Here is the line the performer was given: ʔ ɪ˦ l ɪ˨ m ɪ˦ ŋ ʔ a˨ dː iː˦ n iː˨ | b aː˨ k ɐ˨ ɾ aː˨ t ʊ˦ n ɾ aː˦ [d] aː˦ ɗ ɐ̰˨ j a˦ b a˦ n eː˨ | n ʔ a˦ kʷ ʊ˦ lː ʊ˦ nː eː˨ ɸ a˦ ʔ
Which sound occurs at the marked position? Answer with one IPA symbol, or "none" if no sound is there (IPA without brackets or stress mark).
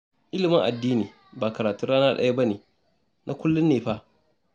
n